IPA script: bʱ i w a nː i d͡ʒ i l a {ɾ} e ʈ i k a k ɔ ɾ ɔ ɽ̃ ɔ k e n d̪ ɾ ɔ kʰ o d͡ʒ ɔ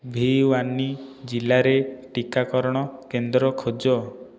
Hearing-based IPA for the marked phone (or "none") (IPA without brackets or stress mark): ɾ